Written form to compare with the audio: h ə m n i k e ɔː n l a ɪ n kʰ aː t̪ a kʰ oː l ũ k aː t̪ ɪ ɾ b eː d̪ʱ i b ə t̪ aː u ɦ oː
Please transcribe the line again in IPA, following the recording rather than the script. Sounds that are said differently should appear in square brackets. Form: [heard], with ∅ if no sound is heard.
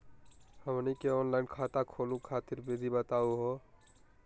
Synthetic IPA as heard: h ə m n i k e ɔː n l a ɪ n kʰ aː t̪ a kʰ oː l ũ [kʰ] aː t̪ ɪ ɾ b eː d̪ʱ i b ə t̪ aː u ɦ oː